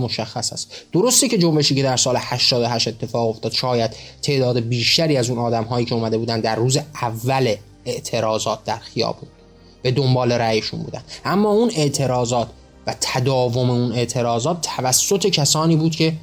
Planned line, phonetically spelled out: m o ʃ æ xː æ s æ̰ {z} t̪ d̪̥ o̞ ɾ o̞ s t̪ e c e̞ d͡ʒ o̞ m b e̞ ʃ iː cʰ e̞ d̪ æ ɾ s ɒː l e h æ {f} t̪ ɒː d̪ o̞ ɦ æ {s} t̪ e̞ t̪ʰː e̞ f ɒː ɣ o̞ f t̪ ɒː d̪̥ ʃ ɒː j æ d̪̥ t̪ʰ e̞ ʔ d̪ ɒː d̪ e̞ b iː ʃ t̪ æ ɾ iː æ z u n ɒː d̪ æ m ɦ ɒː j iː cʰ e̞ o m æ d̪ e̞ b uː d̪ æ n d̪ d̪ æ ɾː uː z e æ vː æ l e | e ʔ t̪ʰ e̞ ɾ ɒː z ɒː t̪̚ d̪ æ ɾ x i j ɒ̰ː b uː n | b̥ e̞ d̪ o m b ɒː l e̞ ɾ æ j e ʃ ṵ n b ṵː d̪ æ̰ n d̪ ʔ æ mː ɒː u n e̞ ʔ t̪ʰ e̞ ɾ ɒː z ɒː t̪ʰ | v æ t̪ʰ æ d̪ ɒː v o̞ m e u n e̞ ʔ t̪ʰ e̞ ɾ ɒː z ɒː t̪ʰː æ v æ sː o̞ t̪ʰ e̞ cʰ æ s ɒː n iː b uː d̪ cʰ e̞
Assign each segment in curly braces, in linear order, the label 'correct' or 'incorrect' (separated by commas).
incorrect, incorrect, incorrect